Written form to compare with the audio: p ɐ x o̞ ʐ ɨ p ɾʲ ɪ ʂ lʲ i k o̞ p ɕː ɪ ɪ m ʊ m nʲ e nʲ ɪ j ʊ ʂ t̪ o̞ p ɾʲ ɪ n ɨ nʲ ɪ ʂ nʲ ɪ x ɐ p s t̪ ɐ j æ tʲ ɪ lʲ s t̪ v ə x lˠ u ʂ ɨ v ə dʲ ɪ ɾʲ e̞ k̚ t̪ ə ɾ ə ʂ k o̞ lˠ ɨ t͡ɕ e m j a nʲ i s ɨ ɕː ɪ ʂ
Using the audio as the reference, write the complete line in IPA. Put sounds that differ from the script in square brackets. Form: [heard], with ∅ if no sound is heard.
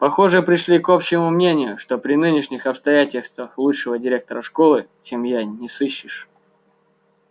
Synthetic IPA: p ɐ x o̞ ʐ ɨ p ɾʲ ɪ ʂ lʲ i k o̞ p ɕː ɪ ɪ m ʊ m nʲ e nʲ ɪ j ʊ ʂ t̪ o̞ p ɾʲ ɪ n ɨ nʲ ɪ ʂ nʲ ɪ x ɐ p s t̪ ɐ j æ tʲ ɪ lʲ s t̪ v ə x lˠ u ʂ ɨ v ə dʲ ɪ ɾʲ e̞ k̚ t̪ ə ɾ ə ʂ k o̞ lˠ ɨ t͡ɕ e m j a nʲ [ɪ] s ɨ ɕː ɪ ʂ